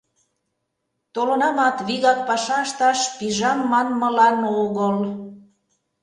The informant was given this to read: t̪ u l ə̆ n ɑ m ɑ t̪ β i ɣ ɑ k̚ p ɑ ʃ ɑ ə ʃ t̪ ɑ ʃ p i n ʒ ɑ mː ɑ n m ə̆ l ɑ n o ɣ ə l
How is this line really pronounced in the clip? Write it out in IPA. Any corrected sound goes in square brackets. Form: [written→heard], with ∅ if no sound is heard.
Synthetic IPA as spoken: t̪ [u→o] l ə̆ n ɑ m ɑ t̪ β i ɣ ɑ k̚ p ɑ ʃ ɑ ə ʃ t̪ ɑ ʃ p i [n→∅] ʒ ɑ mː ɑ n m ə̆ l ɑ n o ɣ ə l